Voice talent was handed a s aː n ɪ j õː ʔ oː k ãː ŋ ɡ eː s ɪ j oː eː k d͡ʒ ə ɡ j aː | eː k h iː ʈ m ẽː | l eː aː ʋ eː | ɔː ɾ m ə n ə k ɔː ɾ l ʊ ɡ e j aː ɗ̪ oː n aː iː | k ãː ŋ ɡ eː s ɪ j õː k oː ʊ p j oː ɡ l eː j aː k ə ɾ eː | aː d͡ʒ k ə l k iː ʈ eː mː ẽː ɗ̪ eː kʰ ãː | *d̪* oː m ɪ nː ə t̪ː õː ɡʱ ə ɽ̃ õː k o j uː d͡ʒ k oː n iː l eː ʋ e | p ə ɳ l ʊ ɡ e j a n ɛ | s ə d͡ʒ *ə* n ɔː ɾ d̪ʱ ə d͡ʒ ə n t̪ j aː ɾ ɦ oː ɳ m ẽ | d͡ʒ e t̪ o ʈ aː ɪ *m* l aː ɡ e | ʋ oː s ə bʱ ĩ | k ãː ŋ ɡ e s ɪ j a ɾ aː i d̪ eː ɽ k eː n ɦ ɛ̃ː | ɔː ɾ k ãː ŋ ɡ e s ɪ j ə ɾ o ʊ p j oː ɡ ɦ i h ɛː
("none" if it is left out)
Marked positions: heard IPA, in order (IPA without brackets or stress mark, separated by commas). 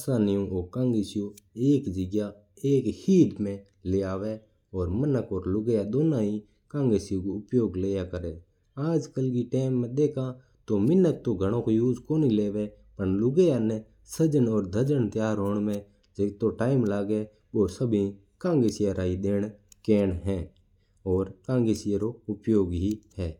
t̪, ə, m